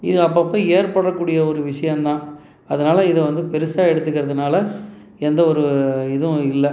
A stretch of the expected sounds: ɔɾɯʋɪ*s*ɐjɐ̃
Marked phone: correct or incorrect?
incorrect: ʂ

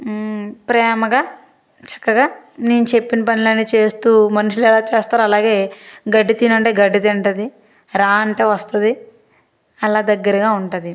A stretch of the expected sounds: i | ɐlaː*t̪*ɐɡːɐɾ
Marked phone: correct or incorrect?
incorrect: d̪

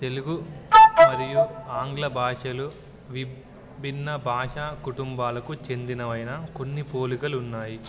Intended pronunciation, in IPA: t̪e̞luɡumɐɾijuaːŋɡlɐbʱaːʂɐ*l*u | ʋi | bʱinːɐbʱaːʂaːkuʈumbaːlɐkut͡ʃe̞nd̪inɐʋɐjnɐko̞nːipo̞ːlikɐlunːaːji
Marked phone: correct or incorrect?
correct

